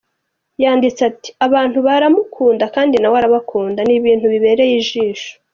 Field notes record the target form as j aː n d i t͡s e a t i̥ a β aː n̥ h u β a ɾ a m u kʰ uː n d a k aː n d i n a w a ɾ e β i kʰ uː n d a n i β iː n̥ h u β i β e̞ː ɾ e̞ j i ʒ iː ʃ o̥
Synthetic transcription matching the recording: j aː n d i t͡s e a t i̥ a β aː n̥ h u β a ɾ a m u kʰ uː n d a k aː n d i n a w a ɾ a β a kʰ uː n d a n i β iː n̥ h u β i β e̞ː ɾ e̞ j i ʒ iː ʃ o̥